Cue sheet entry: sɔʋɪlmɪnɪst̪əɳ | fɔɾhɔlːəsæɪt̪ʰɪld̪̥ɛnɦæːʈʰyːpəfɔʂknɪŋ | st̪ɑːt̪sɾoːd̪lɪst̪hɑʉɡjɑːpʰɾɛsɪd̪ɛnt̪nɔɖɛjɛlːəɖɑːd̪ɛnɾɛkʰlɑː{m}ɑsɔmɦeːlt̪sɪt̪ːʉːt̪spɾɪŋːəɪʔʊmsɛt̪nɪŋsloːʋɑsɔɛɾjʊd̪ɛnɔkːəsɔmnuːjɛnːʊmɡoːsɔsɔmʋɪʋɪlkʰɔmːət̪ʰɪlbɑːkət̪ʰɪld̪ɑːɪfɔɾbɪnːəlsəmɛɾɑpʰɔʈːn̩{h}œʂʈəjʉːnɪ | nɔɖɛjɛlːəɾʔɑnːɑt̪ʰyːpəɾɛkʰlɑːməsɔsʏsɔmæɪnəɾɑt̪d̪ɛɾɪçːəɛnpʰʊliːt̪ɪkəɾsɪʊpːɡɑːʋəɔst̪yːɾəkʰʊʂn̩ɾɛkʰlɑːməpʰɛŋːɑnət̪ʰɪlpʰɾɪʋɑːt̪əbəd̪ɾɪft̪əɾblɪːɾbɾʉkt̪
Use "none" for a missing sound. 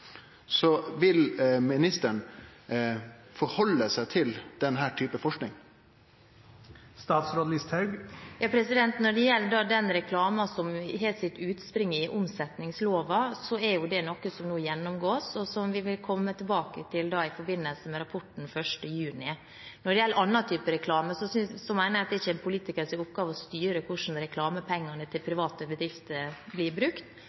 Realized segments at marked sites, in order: m, f

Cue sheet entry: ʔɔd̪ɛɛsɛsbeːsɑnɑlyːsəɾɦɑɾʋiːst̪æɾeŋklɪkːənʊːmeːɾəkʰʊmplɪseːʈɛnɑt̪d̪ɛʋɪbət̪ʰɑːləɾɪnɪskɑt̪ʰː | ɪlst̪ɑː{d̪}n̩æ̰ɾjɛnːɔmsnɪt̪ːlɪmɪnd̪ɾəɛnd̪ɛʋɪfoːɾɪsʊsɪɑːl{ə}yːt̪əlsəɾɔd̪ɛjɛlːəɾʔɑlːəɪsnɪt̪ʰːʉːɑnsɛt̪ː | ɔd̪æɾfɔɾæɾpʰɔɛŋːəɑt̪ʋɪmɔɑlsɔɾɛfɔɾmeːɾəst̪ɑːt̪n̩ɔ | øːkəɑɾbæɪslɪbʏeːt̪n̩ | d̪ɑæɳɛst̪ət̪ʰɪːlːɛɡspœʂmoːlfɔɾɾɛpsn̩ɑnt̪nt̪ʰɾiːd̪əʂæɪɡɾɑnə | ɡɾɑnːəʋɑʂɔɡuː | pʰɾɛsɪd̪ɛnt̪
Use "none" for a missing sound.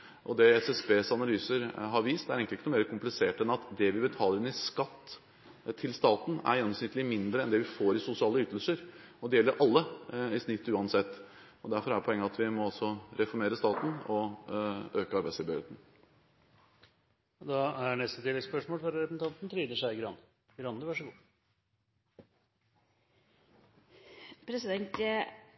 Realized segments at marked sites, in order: t̪, ə

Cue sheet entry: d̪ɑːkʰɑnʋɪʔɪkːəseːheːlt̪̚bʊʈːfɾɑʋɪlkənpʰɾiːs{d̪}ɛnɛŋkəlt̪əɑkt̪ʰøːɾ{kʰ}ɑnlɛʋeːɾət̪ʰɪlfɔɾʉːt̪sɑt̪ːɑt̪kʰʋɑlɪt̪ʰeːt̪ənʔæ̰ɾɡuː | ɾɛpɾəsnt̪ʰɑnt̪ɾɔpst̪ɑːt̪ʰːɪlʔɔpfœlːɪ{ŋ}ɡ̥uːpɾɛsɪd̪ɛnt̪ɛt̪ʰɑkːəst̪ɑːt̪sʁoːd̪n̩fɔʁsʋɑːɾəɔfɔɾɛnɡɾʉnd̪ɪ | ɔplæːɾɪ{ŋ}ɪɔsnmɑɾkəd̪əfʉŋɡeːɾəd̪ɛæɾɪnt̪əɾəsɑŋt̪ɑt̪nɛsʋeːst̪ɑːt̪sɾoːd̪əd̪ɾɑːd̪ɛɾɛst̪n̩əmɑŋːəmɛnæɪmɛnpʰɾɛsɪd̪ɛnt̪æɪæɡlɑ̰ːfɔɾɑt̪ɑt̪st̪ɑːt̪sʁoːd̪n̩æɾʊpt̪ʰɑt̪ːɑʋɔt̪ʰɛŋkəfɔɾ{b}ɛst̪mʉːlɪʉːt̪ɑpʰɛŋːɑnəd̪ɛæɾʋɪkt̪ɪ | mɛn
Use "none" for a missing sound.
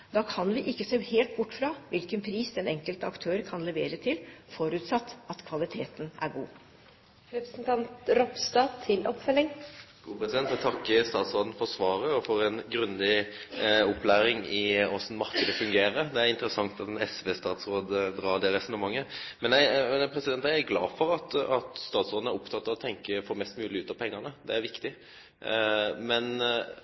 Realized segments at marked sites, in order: d̪, kʰ, ŋ, ŋ, m

